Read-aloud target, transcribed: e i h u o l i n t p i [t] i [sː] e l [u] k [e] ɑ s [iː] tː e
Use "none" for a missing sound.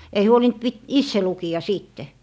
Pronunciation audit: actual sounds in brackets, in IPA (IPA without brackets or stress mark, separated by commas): t, sː, u, i, iː